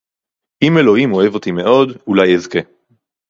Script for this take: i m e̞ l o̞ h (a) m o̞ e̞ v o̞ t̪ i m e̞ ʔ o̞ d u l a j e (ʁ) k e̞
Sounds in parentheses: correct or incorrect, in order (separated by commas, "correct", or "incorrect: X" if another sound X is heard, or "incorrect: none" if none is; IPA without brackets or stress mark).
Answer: incorrect: i, incorrect: z